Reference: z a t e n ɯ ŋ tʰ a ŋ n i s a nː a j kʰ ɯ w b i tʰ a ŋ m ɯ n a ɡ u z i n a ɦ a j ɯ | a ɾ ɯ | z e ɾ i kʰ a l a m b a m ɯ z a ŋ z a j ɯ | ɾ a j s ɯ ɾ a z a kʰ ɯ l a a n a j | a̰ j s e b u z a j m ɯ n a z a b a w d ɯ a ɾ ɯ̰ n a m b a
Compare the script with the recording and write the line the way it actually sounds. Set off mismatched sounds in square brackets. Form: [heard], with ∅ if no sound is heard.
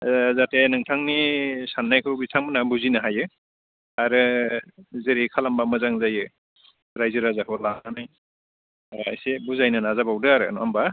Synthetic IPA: z a t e n ɯ ŋ tʰ a ŋ n i s a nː a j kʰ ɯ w b i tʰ a ŋ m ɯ n a [b] u z i n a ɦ a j ɯ | a ɾ ɯ | z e ɾ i kʰ a l a m b a m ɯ z a ŋ z a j ɯ | ɾ a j [z] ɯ ɾ a z a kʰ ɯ l a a n a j | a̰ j s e b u z a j [n] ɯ n a z a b a w d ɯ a ɾ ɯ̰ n a m b a